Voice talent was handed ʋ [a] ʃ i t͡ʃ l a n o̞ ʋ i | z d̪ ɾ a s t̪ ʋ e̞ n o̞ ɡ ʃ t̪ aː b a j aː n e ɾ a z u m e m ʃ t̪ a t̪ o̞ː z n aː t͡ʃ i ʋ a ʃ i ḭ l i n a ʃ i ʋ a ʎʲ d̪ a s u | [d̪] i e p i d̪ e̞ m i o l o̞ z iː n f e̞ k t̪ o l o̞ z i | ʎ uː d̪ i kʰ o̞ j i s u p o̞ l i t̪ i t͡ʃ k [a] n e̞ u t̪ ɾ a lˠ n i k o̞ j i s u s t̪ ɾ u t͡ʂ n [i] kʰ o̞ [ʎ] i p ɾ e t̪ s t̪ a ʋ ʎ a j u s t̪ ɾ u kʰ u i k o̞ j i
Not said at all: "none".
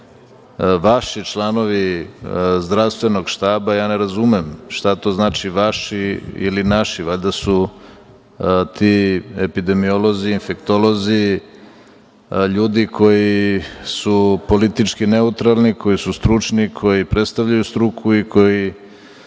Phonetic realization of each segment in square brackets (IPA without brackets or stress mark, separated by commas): a, t̪, i, i, j